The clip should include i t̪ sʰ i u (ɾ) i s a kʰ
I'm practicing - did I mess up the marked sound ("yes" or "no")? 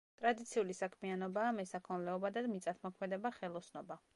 yes